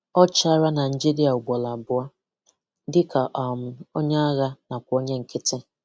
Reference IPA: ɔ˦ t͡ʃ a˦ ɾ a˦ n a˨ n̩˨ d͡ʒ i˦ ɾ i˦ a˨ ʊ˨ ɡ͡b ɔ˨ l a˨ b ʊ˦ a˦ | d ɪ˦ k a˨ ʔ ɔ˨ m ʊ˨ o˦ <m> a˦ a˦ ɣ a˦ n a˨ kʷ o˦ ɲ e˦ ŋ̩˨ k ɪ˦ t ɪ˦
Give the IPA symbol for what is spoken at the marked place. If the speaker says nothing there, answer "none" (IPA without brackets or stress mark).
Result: ɲ